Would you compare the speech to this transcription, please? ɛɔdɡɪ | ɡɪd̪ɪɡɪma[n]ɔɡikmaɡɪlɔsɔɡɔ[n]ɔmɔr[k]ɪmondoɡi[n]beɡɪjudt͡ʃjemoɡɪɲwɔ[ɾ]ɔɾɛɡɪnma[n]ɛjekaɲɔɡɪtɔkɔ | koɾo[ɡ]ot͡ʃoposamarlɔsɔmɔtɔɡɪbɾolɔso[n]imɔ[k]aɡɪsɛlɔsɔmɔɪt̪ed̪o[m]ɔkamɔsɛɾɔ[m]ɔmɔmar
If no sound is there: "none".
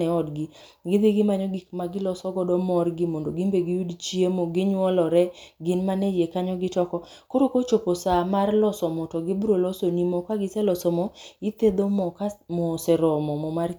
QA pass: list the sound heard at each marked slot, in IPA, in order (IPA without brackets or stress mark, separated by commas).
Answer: ɲ, d, ɡ, m, l, n, k, n, k, m, m